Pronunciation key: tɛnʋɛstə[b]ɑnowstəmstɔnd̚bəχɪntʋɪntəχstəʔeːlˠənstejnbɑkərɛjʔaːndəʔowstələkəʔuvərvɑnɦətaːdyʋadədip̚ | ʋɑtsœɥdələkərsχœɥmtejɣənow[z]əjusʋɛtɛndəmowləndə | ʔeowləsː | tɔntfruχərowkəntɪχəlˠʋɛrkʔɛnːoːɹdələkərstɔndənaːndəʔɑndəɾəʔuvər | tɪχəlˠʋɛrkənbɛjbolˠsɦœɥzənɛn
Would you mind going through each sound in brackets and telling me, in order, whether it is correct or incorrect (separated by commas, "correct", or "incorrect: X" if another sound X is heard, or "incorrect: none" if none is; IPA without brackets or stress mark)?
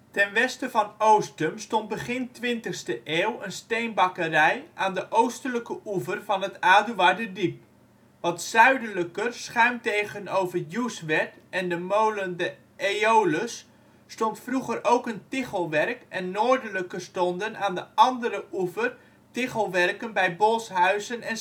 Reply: incorrect: v, incorrect: v